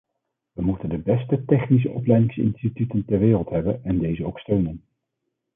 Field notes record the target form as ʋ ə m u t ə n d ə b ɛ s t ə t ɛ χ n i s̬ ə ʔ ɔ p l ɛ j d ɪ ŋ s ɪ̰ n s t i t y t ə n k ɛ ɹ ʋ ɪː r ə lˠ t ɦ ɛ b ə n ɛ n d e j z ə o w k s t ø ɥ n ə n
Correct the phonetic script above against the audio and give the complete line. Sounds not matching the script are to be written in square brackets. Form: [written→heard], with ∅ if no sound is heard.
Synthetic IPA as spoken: ʋ ə m u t ə n d ə b ɛ s t ə t ɛ χ n i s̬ ə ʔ ɔ p l ɛ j d ɪ ŋ s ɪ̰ n s t i t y t ə n [k→t] ɛ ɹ ʋ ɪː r ə lˠ t ɦ ɛ b ə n ɛ n d e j z ə o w k s t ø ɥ n ə n